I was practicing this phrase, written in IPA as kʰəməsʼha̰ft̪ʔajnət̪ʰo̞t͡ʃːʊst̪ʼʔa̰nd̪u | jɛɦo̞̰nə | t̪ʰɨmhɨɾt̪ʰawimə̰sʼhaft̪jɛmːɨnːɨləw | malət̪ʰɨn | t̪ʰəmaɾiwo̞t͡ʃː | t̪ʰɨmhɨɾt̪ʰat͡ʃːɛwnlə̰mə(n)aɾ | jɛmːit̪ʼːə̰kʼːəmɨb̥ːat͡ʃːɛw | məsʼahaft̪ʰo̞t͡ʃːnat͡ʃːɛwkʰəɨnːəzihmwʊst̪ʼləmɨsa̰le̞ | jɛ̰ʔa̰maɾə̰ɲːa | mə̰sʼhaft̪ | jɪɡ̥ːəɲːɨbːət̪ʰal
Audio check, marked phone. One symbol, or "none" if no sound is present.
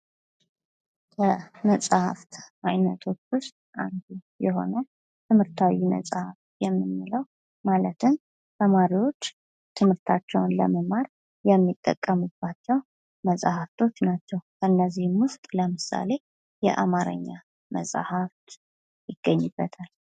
m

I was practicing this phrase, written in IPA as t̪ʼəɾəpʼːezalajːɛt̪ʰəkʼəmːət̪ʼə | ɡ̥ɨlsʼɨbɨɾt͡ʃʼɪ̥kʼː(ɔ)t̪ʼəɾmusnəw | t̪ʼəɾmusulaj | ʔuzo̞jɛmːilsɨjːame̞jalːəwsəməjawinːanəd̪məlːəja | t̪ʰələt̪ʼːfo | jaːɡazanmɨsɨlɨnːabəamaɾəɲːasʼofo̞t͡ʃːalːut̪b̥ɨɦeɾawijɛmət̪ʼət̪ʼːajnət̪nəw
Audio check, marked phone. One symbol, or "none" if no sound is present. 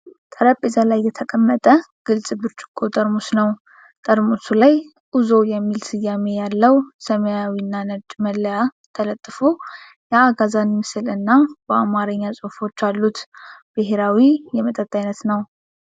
o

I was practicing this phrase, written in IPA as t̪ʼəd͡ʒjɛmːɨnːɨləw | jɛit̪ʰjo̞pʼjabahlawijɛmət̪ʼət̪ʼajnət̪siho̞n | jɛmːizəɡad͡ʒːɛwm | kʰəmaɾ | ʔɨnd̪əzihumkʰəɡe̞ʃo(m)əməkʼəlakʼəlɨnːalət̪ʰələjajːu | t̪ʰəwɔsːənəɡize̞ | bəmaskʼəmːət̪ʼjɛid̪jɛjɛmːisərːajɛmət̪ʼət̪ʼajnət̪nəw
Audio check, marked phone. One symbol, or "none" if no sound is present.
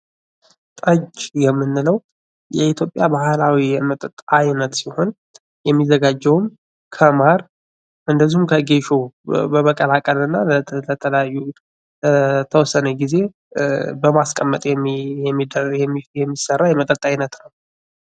b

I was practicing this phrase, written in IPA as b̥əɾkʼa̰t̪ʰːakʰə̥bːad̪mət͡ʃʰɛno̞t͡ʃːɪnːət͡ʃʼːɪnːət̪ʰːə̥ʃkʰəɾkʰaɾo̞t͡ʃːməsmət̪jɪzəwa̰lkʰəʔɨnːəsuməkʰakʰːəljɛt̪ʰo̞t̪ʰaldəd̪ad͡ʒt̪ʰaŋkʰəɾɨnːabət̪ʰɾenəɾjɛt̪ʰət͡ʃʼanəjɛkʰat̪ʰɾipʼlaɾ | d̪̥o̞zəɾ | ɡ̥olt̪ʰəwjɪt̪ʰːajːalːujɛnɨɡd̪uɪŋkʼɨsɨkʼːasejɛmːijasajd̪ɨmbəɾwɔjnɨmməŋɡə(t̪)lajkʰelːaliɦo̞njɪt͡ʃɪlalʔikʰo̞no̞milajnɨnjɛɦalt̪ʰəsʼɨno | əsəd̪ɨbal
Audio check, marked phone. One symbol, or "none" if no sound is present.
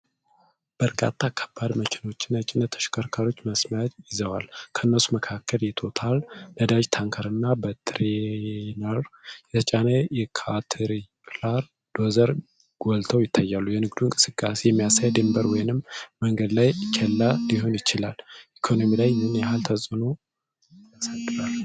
d̪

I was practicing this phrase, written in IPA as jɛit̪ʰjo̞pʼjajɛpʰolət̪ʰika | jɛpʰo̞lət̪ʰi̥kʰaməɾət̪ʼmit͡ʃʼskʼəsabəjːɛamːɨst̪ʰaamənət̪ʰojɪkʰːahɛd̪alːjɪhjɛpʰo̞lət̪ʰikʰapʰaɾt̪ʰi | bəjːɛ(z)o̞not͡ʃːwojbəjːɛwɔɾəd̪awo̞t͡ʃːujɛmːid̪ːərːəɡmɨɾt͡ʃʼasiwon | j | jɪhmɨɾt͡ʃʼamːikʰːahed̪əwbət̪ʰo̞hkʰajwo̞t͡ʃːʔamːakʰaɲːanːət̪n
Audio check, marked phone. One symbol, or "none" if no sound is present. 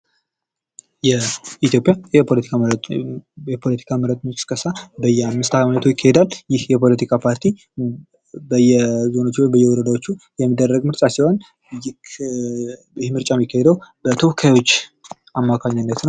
z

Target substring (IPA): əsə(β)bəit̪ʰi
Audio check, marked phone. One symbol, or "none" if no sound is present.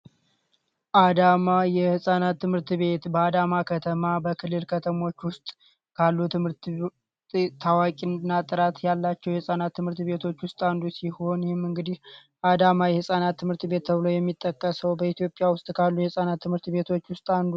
w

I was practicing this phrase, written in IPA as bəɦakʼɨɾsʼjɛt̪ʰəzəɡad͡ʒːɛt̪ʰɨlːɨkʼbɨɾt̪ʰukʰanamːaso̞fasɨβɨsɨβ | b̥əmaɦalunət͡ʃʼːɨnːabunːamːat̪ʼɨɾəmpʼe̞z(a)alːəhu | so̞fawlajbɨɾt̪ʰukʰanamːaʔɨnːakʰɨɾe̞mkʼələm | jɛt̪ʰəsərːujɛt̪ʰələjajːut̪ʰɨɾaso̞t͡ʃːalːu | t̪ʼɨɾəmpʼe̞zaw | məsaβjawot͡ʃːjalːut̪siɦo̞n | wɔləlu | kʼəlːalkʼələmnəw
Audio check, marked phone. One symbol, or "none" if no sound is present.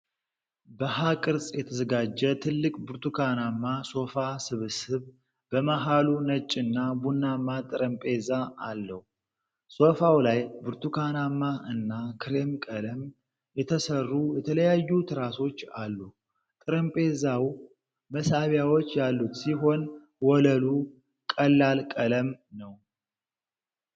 a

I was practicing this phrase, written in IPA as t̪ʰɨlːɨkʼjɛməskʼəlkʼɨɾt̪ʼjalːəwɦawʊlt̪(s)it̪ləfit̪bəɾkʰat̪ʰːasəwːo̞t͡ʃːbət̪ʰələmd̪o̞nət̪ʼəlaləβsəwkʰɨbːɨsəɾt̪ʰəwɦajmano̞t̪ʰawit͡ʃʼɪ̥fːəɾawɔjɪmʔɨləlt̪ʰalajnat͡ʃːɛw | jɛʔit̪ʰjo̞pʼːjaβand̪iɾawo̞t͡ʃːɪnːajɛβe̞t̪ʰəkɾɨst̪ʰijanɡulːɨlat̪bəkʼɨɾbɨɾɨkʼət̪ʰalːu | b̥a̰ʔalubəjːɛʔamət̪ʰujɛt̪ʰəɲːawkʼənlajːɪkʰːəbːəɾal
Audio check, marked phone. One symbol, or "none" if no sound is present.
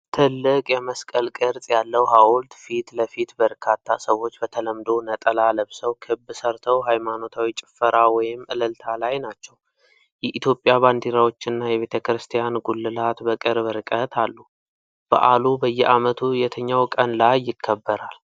f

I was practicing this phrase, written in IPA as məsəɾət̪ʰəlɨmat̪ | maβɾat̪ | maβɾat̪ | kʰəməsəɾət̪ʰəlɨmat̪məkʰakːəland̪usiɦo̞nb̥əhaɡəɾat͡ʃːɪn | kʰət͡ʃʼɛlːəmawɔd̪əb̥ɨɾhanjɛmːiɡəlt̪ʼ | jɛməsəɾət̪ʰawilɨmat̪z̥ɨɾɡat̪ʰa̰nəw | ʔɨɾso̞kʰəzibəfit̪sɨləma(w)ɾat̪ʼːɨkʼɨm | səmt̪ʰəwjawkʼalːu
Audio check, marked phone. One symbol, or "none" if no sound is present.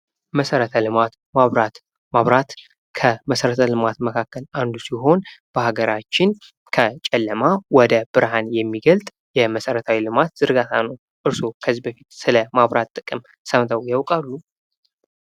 β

